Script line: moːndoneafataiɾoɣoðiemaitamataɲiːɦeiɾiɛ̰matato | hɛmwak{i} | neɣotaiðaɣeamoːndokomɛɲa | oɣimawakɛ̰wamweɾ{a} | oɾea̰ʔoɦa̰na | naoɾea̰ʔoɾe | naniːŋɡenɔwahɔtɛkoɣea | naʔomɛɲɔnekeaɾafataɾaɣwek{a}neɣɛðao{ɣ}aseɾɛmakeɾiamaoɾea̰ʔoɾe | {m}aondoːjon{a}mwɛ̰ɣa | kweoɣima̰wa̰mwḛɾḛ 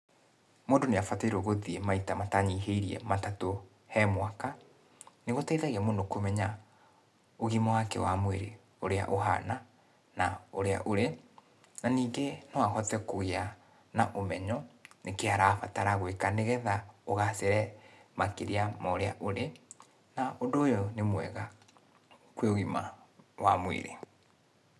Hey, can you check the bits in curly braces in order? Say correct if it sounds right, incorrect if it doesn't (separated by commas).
incorrect, incorrect, correct, correct, incorrect, incorrect